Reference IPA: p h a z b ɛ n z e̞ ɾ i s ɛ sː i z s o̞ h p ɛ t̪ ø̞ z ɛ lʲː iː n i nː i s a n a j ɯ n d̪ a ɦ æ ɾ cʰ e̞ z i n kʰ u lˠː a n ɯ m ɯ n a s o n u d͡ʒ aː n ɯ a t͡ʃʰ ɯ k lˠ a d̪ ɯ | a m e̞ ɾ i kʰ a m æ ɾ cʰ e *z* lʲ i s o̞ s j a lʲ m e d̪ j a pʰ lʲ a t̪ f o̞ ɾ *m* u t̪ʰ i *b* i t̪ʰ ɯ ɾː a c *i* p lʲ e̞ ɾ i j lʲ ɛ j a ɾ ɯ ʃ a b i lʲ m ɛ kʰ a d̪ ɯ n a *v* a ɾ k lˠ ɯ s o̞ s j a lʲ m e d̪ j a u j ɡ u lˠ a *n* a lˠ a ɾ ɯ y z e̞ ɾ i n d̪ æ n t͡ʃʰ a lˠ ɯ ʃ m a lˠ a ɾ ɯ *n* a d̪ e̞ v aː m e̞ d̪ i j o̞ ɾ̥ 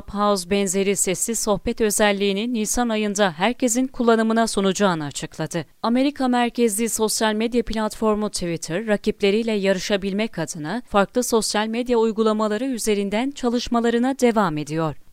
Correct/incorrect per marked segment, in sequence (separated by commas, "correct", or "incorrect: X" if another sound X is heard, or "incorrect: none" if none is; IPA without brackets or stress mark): correct, correct, incorrect: v, correct, incorrect: f, incorrect: m, correct